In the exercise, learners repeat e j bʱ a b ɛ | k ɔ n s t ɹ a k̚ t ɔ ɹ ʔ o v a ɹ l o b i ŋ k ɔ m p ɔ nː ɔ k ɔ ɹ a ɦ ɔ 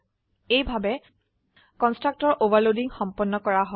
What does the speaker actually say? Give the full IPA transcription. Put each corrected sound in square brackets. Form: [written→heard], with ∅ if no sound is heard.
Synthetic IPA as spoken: e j bʱ a b ɛ | k ɔ n s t ɹ a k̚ t ɔ ɹ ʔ o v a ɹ l o [b→d] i ŋ [k→x] ɔ m p ɔ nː ɔ k ɔ ɹ a ɦ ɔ